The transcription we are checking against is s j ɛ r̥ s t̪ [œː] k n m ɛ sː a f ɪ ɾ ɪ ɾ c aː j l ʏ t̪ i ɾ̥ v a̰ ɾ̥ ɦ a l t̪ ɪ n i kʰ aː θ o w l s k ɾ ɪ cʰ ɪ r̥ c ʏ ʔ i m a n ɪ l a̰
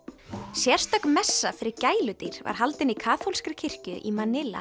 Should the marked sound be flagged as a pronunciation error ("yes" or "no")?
yes